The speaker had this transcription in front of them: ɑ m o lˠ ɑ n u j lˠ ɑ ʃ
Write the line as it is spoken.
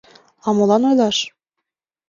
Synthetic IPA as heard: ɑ m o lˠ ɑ n o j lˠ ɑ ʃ